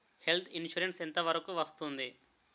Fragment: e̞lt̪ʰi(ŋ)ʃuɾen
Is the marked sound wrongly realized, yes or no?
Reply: yes